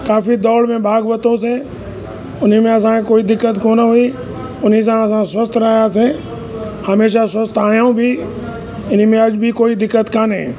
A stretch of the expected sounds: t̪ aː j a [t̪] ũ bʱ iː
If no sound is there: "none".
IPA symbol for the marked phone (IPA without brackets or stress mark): none